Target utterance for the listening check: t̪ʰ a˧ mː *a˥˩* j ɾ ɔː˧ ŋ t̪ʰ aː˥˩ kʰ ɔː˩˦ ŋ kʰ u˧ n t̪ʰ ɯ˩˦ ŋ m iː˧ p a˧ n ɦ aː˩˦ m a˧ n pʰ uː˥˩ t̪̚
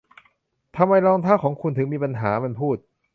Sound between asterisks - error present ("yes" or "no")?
yes